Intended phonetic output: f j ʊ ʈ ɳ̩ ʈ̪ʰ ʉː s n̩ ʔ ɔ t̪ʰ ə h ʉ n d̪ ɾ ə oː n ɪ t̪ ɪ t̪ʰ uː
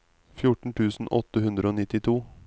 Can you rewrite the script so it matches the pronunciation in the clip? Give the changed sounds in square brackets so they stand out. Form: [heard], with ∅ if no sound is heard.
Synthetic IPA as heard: f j ʊ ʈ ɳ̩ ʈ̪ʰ ʉː s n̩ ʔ ɔ [t̪] ə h ʉ n d̪ ɾ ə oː n ɪ t̪ ɪ t̪ʰ uː